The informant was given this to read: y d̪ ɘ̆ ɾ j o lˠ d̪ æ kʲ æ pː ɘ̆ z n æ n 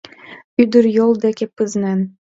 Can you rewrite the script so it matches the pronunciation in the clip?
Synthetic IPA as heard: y d̪ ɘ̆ ɾ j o lˠ d̪ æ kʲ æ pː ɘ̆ z n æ n